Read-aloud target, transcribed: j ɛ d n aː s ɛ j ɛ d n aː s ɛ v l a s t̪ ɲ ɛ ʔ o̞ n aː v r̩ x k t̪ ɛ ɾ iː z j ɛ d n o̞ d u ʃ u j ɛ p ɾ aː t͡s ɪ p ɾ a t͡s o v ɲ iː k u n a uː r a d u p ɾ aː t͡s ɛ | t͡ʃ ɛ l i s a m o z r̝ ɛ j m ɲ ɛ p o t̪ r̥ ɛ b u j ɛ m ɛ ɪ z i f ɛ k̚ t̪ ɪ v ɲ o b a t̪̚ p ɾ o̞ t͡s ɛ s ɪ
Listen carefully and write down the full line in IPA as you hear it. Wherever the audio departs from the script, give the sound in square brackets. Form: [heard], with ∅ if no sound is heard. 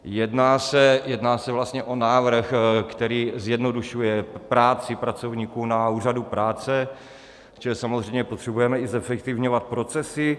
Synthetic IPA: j ɛ d n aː s ɛ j ɛ d n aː s ɛ v l a s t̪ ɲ ɛ ʔ o̞ n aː v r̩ x k t̪ ɛ ɾ iː z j ɛ d n o̞ d u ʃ u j ɛ p ɾ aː t͡s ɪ p ɾ a t͡s o v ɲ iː k u n a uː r a d u p ɾ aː t͡s ɛ | t͡ʃ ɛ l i s a m o z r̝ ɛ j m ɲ ɛ p o t̪ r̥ ɛ b u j ɛ m ɛ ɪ z [ɛ] f ɛ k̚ t̪ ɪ v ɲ o [v] a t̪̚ p ɾ o̞ t͡s ɛ s ɪ